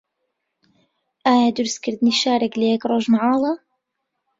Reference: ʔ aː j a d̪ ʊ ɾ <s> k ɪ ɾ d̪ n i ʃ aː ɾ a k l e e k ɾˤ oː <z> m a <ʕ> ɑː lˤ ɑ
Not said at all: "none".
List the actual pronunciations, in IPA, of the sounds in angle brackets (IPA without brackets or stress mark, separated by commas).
s, ʒ, ʕ